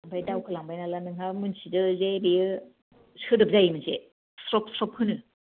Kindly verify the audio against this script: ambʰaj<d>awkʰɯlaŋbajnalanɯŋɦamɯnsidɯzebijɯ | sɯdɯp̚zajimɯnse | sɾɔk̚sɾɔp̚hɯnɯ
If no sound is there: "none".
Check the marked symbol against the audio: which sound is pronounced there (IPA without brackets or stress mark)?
d